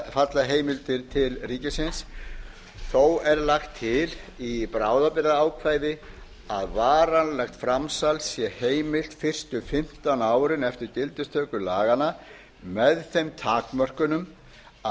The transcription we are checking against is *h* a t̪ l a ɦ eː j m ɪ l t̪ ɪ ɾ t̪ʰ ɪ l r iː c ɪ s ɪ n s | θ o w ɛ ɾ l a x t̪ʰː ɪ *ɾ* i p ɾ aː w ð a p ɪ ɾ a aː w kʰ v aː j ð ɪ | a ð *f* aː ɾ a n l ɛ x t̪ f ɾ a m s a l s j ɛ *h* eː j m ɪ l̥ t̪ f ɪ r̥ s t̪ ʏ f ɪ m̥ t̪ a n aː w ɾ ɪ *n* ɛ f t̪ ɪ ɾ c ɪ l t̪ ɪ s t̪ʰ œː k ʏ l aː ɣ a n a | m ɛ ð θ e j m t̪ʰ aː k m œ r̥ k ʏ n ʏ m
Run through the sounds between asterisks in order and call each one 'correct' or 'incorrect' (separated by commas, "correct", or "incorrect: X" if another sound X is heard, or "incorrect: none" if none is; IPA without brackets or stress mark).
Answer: incorrect: f, incorrect: l, incorrect: v, correct, correct